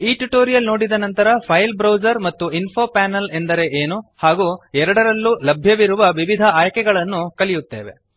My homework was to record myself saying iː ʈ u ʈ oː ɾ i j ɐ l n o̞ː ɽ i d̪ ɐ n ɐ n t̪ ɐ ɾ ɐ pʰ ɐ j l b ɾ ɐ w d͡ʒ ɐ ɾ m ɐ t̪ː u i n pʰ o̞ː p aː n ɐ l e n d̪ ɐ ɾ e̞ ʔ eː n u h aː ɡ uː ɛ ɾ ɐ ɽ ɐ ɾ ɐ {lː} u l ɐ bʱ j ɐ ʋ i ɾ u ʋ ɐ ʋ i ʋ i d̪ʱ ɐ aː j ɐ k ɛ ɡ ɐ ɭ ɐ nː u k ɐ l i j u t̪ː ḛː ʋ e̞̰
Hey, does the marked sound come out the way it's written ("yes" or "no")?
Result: yes